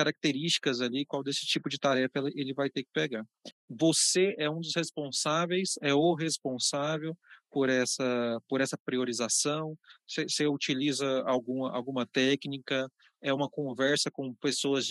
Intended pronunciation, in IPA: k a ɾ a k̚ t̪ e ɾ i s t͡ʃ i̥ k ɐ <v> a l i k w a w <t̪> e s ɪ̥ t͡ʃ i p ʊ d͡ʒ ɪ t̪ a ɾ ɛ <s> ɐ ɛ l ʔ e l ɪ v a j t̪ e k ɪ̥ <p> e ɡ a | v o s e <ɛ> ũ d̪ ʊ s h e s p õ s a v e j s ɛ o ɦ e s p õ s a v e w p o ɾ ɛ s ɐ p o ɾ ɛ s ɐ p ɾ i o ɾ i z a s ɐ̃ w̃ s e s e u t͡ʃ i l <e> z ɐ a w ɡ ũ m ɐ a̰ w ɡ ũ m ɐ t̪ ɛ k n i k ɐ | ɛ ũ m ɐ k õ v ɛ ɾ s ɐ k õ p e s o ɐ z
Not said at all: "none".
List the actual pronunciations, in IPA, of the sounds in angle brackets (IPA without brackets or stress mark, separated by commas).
z, d̪, f, p, ɛ, i